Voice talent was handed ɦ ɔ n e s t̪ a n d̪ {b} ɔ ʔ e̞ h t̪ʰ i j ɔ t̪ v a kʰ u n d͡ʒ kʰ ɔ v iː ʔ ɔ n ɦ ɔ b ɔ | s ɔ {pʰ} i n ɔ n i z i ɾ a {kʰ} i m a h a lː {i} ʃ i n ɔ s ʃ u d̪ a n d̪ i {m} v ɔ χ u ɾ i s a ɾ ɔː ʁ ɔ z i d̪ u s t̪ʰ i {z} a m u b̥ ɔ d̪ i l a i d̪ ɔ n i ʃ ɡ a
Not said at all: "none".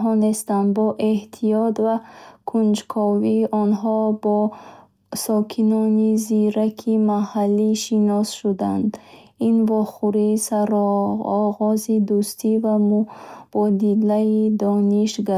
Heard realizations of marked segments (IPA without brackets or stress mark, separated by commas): b, kʰ, kʰ, i, n, v